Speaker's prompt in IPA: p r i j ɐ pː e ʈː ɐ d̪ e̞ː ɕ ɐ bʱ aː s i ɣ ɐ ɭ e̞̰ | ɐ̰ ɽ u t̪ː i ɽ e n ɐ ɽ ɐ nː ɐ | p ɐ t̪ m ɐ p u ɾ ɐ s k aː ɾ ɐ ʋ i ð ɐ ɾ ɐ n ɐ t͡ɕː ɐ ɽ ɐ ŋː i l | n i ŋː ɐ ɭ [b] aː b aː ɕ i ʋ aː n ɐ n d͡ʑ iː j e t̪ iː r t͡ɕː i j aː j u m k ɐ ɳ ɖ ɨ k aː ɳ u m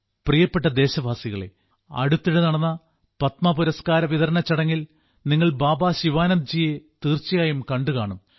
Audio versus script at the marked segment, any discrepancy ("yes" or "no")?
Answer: no